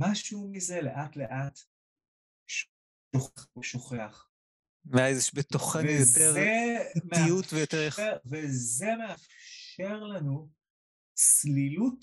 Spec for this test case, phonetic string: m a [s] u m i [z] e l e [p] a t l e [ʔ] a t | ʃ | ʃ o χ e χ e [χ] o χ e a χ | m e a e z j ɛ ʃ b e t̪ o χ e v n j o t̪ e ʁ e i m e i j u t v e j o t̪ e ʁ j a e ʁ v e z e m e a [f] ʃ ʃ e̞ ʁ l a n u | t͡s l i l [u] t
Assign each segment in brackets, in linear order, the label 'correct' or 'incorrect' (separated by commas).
incorrect, correct, incorrect, correct, incorrect, correct, correct